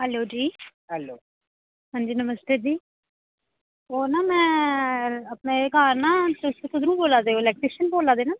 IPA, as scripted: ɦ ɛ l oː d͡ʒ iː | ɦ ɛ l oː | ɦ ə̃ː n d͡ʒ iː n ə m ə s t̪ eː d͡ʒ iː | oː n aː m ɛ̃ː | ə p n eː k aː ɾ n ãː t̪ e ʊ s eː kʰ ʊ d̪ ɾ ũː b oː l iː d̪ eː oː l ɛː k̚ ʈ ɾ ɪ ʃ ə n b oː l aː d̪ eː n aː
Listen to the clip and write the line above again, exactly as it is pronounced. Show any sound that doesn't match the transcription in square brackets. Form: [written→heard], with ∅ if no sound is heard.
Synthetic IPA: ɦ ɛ l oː d͡ʒ iː | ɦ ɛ l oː | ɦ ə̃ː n d͡ʒ iː n ə m ə s t̪ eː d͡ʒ iː | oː n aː m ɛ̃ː | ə p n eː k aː ɾ n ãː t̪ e ʊ s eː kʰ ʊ d̪ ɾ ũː b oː l [iː→aː] d̪ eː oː l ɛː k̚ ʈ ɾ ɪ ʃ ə n b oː l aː d̪ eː n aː